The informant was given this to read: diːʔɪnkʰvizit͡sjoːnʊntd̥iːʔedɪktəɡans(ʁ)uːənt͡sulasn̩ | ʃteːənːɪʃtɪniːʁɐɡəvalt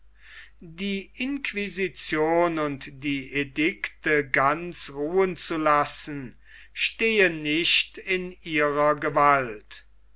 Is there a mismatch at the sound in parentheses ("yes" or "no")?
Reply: no